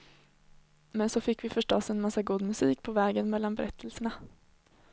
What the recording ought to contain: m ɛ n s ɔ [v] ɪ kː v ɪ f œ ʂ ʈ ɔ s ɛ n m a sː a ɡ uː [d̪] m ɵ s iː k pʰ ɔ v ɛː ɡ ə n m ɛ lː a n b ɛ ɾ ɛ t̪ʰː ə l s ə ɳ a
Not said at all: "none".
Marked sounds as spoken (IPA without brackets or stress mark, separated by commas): f, d̪